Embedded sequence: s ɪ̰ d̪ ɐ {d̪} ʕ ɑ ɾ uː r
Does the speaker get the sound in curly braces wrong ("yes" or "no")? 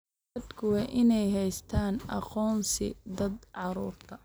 no